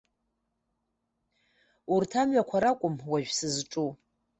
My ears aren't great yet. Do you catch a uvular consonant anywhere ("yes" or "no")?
no